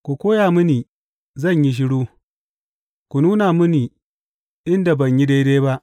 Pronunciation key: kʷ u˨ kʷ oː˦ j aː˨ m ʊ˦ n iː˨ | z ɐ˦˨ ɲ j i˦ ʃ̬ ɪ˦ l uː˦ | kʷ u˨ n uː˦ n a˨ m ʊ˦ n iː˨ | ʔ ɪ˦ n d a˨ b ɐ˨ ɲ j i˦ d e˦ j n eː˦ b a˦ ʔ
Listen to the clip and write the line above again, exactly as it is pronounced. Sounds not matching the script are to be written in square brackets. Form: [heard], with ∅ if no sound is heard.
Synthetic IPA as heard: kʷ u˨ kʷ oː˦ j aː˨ m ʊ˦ n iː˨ | z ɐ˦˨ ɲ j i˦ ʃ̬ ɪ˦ [ɽ] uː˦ | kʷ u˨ n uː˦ n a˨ m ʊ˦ n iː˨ | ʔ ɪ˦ n d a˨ b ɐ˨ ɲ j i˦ d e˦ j [d] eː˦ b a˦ ʔ